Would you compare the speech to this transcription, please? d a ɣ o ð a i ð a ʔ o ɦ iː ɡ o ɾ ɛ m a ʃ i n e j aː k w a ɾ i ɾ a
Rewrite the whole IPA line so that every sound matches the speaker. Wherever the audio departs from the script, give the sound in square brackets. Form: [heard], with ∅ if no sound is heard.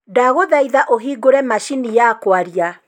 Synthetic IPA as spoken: d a ɣ o ð a i ð a ʔ o ɦ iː ɡ o ɾ ɛ m a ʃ i n [i] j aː k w a ɾ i [∅] a